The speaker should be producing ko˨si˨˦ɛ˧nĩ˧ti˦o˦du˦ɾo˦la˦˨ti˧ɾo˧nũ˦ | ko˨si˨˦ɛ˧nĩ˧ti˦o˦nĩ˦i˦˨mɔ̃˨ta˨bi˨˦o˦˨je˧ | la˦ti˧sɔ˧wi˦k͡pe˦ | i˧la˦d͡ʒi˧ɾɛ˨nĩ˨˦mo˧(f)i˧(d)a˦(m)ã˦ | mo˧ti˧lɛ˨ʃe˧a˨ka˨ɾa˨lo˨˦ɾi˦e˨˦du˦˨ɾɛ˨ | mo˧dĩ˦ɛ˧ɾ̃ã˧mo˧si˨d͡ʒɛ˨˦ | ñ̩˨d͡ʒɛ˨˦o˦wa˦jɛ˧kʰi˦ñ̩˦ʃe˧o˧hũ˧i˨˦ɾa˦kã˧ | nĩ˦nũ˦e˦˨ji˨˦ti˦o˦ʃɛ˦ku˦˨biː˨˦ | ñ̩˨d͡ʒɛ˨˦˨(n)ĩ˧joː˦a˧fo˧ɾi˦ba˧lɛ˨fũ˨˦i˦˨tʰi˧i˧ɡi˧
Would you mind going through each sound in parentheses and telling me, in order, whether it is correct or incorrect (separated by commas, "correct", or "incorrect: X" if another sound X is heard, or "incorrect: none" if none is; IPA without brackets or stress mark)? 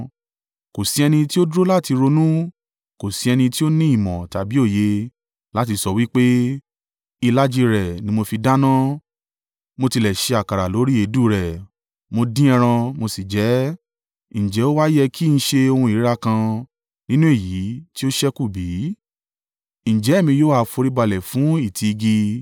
correct, correct, incorrect: n, incorrect: m